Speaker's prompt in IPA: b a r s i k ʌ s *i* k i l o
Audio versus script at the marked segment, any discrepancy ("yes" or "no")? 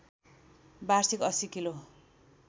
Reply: no